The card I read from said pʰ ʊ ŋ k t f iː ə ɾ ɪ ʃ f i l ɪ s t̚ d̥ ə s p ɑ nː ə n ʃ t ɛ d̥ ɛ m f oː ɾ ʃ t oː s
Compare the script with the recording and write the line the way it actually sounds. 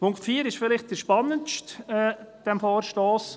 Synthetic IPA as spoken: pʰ ʊ ŋ k t f iː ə ɾ ɪ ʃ f ɪ l ɪ χ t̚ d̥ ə ʃ p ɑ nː ə n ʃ t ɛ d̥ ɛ m f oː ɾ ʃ t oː s